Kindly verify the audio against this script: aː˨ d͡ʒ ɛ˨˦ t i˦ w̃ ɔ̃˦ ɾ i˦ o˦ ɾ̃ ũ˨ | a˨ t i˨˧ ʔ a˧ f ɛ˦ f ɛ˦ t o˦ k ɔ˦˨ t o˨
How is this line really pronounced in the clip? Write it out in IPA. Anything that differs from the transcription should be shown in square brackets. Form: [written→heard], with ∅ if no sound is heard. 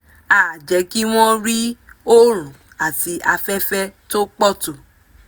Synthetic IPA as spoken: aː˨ d͡ʒ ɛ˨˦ [t→k] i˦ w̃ ɔ̃˦ ɾ i˦ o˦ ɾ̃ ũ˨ | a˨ t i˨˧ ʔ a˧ f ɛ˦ f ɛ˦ t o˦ [k→k͡p] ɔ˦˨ t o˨